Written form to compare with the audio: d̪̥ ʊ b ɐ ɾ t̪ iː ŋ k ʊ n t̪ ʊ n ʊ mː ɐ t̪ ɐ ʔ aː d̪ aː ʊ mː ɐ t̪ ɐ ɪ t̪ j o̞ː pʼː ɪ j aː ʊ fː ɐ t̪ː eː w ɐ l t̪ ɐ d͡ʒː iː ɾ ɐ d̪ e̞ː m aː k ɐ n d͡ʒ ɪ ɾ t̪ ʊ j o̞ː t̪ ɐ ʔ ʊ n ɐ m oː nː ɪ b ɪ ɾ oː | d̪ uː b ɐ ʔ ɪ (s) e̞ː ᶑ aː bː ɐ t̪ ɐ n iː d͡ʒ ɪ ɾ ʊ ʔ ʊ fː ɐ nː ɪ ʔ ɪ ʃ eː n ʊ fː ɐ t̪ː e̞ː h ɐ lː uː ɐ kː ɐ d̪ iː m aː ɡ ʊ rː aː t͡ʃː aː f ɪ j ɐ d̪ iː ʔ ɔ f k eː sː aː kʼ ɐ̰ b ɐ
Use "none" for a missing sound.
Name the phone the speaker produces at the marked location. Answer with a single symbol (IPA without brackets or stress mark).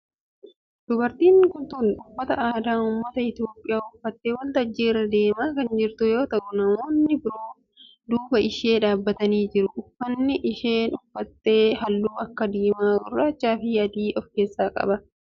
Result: ʃ